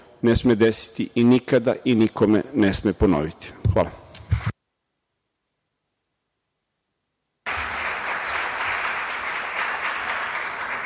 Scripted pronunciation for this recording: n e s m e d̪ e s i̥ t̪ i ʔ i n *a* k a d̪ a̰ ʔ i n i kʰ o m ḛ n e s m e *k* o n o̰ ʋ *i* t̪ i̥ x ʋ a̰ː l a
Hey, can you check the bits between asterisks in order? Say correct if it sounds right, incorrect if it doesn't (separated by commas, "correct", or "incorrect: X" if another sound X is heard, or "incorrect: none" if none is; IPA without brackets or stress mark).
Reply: incorrect: i, incorrect: p, correct